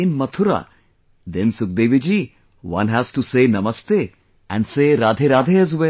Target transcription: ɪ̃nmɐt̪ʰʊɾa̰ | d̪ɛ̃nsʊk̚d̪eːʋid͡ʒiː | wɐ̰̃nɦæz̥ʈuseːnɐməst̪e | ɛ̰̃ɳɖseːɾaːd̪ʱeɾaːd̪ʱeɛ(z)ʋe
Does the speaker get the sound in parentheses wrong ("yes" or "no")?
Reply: no